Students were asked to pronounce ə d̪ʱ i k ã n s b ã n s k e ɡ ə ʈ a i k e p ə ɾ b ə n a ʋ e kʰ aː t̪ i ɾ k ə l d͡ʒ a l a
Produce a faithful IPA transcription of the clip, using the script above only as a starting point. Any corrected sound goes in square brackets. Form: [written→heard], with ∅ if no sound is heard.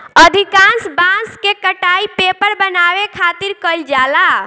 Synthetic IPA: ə d̪ʱ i k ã n s b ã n s k e [ɡ→k] ə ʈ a i [k→p] e p ə ɾ b ə n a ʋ e kʰ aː t̪ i ɾ k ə l d͡ʒ a l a